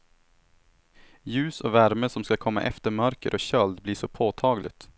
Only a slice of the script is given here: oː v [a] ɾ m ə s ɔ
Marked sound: incorrect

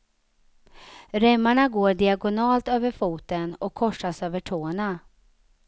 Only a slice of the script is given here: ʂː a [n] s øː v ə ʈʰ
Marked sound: incorrect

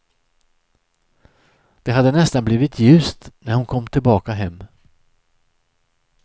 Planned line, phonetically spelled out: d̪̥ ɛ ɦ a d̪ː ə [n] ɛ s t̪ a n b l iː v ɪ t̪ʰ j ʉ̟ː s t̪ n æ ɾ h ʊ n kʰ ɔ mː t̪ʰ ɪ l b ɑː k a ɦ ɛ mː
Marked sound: correct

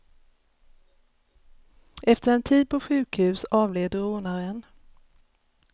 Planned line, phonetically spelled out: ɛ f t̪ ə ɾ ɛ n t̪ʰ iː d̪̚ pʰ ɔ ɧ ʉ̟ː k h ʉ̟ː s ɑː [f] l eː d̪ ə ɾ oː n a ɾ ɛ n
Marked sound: incorrect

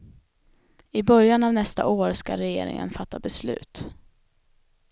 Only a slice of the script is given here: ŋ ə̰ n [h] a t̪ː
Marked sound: incorrect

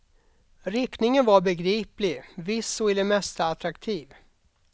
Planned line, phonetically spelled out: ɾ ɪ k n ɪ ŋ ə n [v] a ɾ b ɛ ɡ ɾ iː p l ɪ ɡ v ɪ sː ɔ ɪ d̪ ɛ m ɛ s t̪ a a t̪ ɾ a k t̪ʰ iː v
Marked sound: correct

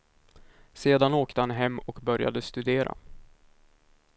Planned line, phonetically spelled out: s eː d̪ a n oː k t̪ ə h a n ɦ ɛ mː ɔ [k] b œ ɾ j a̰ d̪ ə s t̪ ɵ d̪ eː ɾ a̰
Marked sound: correct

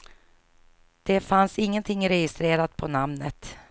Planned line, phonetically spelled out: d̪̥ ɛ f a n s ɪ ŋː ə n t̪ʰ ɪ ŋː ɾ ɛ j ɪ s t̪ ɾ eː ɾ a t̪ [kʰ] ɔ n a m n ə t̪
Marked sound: incorrect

